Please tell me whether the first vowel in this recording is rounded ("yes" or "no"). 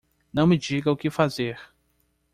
no